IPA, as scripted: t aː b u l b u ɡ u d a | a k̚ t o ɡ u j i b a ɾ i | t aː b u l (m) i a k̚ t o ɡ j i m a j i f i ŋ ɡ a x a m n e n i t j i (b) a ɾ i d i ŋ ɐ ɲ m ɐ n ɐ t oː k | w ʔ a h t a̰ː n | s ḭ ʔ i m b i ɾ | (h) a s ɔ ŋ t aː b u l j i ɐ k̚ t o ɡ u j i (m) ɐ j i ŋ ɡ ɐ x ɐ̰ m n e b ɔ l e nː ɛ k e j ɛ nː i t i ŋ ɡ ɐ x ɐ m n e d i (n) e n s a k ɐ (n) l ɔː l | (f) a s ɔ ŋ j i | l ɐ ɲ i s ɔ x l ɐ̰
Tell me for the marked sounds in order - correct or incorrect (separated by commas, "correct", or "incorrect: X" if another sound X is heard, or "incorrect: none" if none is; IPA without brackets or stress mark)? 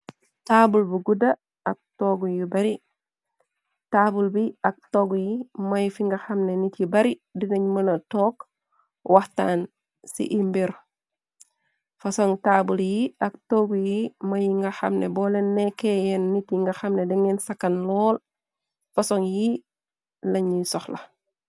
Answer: incorrect: b, correct, incorrect: f, correct, incorrect: ŋ, correct, correct